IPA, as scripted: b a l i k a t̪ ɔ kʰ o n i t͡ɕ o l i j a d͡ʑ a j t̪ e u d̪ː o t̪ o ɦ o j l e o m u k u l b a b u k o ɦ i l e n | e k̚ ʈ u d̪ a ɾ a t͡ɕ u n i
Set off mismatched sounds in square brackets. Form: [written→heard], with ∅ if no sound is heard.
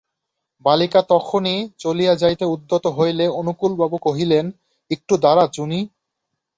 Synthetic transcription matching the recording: b a l i k a t̪ ɔ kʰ o n i t͡ɕ o l i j a d͡ʑ a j t̪ e u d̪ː o t̪ o ɦ o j l e o [m→n] u k u l b a b u k o ɦ i l e n | e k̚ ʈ u d̪ a ɾ a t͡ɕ u n i